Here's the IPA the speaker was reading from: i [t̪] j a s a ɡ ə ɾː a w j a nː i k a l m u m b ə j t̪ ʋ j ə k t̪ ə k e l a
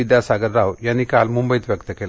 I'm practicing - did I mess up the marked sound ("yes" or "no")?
yes